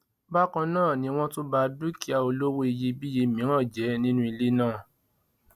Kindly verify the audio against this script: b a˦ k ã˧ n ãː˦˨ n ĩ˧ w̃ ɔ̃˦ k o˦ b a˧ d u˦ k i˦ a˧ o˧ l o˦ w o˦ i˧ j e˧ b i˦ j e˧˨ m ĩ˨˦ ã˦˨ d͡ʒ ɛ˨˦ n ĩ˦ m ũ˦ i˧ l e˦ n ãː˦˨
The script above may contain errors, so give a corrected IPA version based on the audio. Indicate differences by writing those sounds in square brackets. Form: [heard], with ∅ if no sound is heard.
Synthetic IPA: b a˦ k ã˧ n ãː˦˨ n ĩ˧ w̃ ɔ̃˦ [t] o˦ b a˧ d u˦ k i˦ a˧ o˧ l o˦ w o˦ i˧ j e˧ b i˦ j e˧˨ m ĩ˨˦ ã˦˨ d͡ʒ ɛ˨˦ n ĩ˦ [n] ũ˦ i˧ l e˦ n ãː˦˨